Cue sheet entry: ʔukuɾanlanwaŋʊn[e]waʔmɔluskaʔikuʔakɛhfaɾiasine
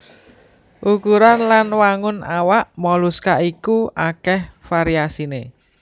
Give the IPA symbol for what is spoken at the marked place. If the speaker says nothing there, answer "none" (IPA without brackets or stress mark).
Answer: a